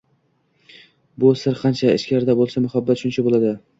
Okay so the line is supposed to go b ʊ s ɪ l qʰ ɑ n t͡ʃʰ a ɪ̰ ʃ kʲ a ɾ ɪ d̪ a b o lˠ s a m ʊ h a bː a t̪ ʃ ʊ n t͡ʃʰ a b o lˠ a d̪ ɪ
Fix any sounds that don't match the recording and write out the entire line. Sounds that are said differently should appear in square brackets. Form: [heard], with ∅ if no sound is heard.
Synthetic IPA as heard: b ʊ s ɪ [ɾ] qʰ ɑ n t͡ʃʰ a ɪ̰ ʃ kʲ a ɾ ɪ d̪ a b o lˠ s a m ʊ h a bː a t̪ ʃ ʊ n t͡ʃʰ a b o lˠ a d̪ ɪ